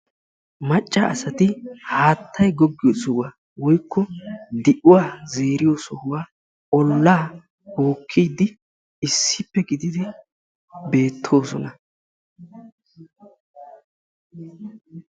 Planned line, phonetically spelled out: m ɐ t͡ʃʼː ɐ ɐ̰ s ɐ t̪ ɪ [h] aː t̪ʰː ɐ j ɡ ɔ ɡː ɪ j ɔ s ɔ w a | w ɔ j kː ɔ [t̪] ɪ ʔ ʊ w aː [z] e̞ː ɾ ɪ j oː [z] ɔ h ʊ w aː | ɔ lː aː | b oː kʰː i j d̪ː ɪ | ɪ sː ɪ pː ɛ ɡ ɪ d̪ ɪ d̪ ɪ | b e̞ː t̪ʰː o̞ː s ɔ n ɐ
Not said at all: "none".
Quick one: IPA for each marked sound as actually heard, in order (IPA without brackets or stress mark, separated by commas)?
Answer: h, d̪, z, s